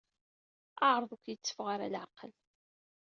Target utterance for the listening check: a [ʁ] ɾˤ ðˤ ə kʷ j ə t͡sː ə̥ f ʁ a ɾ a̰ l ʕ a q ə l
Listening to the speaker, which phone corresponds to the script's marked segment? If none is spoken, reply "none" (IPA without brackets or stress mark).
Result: ʕ